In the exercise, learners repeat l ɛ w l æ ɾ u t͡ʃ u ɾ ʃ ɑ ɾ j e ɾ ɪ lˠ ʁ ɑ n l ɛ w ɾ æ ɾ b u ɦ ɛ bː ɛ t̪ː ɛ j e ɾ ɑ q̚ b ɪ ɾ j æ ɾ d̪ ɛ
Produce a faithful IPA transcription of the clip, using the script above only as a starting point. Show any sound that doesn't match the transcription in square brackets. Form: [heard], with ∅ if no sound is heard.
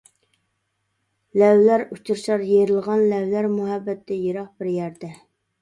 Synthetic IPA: l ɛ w l æ ɾ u t͡ʃ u ɾ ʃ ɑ ɾ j e ɾ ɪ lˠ ʁ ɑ n l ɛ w [l] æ ɾ [m] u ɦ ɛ bː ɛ t̪ː ɛ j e ɾ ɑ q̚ b ɪ ɾ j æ ɾ d̪ ɛ